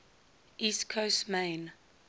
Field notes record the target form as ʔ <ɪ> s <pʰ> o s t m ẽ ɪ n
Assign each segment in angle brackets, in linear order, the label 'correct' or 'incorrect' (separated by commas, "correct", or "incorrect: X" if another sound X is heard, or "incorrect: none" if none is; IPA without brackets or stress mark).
incorrect: i, incorrect: kʰ